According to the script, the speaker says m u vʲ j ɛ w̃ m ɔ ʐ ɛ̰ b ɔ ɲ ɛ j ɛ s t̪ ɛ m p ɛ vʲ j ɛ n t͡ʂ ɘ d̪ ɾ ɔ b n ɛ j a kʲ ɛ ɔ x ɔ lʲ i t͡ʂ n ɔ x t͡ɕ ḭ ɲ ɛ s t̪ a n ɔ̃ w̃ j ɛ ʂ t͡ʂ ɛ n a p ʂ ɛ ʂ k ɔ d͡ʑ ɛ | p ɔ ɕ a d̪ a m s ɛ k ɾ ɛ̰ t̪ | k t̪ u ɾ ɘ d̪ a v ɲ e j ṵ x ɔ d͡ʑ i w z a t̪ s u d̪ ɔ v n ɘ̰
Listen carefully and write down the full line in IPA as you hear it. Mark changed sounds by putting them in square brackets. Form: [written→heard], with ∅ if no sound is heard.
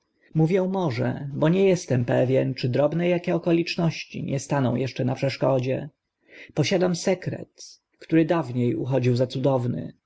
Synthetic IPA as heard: m u vʲ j ɛ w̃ m ɔ ʐ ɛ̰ b ɔ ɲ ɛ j ɛ s t̪ ɛ m p ɛ vʲ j ɛ n t͡ʂ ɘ d̪ ɾ ɔ b n ɛ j a kʲ ɛ ɔ [x→k] ɔ lʲ i t͡ʂ n ɔ [x→ɕ] t͡ɕ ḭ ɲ ɛ s t̪ a n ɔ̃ w̃ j ɛ ʂ t͡ʂ ɛ n a p ʂ ɛ ʂ k ɔ d͡ʑ ɛ | p ɔ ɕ a d̪ a m s ɛ k ɾ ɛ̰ t̪ | k t̪ u ɾ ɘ d̪ a v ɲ e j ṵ x ɔ d͡ʑ i w z a t̪ s u d̪ ɔ v n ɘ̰